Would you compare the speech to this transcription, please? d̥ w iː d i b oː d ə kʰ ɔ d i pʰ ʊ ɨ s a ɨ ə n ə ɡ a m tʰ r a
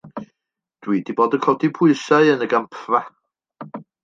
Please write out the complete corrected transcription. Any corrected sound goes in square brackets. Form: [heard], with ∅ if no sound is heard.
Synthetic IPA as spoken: d̥ w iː d i b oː d ə kʰ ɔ d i pʰ ʊ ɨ s a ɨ ə n ə ɡ a m [pʰ] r a

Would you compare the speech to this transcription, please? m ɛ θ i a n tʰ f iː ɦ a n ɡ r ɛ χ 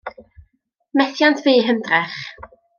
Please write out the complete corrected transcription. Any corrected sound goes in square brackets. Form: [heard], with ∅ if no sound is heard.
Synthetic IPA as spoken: m ɛ θ [j] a n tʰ [v] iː ɦ [ə] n [d] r ɛ χ

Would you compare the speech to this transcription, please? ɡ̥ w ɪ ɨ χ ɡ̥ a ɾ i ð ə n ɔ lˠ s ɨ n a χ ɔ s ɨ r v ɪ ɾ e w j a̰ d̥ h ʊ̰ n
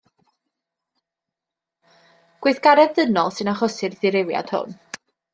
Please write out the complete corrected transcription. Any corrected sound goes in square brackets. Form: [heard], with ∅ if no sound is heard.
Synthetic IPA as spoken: ɡ̥ w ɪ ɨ [θ] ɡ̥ a ɾ [ɛ] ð ə n ɔ lˠ s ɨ n a χ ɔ s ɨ r [ð] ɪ ɾ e w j a̰ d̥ h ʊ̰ n

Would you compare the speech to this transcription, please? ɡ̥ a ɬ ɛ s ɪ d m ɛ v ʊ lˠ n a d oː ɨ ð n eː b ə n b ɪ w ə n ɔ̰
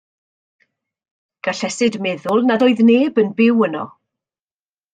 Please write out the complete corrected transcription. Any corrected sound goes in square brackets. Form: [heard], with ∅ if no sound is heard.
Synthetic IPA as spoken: ɡ̥ a ɬ ɛ s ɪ d m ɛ [ð] ʊ lˠ n a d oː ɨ ð n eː b ə n b ɪ w ə n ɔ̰

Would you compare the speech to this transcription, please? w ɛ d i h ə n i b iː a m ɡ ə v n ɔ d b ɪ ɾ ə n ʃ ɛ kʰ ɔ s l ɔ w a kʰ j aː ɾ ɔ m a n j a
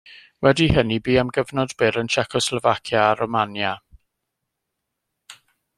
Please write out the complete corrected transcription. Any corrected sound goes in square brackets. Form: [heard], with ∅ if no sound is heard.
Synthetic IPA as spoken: w ɛ d i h ə n i b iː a m ɡ ə v n ɔ d b ɪ ɾ ə n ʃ ɛ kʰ ɔ s l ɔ [v] a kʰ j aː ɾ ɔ m a n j a

